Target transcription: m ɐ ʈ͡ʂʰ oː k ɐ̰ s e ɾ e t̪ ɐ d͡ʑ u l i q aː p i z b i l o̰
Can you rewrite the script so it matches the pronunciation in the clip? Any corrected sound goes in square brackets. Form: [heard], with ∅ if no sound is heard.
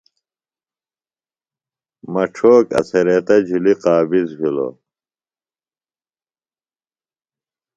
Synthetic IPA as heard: m ɐ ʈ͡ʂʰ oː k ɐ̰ s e ɾ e t̪ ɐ d͡ʑ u l i q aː [b] i z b i l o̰